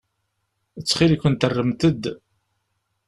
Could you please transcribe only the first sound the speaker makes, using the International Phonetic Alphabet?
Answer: ə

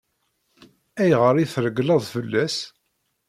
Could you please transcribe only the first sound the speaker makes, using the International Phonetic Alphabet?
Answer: æ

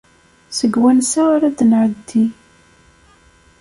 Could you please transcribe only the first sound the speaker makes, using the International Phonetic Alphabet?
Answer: s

